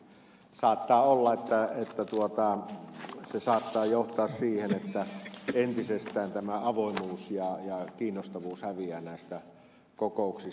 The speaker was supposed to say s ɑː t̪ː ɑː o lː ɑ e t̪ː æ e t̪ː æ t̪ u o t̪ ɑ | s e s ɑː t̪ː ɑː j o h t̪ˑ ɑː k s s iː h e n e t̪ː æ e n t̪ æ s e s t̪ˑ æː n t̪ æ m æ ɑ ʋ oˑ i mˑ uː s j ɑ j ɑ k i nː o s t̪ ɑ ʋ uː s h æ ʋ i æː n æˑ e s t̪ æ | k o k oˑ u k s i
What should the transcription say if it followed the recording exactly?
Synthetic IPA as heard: s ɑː t̪ː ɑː o lː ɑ e t̪ː æ e t̪ː æ t̪ u o t̪ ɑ | s e s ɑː t̪ː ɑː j o h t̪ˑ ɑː s s iː h e n e t̪ː æ e n t̪ i s e s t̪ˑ æː n t̪ æ m æ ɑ ʋ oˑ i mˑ uː s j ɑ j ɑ k iː nː o s t̪ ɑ ʋ uː s h æ ʋ i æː n æˑ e s t̪ æ | k o k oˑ u k s i